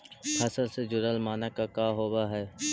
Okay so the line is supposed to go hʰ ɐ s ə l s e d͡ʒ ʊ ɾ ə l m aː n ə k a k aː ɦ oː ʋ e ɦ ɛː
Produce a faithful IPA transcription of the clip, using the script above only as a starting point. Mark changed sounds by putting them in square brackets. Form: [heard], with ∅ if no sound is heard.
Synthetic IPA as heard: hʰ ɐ s ə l s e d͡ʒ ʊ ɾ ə l m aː n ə k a k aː ɦ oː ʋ [a] ɦ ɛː